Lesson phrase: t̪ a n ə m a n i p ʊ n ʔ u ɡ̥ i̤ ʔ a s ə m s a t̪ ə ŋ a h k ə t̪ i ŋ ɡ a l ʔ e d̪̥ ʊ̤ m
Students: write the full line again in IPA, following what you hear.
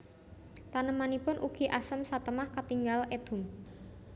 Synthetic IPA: t̪ a n ə m a n i p ʊ n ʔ u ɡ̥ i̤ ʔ a s ə m s a t̪ ə m a h k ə t̪ i ŋ ɡ a l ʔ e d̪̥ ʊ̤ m